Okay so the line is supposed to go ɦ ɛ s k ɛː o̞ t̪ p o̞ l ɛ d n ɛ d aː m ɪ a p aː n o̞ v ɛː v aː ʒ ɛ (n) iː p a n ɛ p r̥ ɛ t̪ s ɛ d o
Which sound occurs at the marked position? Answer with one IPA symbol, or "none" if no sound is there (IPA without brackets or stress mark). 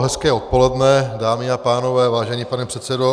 ɲ